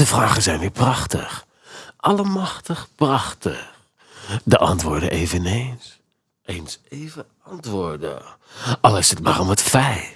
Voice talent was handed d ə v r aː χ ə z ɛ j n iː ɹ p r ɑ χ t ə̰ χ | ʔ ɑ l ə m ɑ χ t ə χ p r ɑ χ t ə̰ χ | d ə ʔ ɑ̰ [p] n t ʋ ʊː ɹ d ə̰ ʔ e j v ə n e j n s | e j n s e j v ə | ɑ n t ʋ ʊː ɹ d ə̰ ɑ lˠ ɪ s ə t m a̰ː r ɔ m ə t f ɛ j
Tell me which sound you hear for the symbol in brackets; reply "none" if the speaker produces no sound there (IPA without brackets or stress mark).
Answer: none